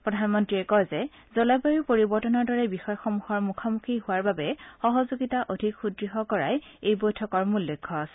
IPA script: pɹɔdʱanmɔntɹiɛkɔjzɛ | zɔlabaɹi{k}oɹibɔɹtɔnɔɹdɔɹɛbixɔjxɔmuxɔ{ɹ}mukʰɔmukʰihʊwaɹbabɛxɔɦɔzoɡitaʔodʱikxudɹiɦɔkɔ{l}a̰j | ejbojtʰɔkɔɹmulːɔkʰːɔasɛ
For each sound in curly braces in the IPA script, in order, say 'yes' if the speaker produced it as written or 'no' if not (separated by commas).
no, yes, no